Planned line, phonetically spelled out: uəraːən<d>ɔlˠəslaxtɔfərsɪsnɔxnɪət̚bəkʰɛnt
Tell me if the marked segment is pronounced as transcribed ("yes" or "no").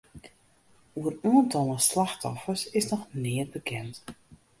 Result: no